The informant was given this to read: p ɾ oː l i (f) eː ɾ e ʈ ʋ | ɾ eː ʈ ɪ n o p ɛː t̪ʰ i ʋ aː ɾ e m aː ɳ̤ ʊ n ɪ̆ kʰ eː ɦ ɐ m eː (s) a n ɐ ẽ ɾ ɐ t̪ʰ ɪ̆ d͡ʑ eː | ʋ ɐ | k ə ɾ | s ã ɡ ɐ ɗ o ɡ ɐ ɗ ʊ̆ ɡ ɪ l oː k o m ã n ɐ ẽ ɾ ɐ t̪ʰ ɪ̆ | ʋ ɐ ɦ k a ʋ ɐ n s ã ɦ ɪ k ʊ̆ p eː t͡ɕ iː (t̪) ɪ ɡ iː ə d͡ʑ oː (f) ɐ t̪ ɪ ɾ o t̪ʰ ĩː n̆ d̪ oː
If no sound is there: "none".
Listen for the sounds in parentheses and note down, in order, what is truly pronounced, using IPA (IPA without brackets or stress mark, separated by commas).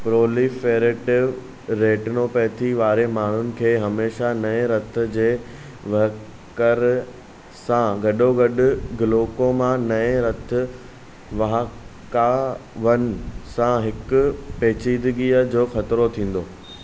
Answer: f, ʃ, d̪, x